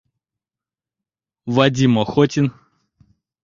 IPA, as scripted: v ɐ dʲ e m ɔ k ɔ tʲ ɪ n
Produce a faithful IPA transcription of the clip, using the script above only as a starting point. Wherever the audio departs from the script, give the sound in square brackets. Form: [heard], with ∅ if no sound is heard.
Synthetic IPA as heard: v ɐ dʲ [i] m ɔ [x] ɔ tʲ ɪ n